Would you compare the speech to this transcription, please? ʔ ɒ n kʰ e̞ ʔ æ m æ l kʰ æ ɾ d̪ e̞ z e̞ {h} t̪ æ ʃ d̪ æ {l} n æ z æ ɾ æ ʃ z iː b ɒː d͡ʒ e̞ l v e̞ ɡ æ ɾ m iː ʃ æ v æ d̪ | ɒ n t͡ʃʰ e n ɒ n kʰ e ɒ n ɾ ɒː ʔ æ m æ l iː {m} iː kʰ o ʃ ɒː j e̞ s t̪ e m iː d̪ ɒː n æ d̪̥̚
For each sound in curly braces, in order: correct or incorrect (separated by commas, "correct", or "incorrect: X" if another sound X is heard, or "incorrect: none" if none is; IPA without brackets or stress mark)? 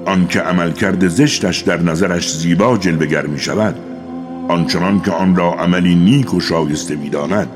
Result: incorrect: ʃ, incorrect: ɾ, incorrect: n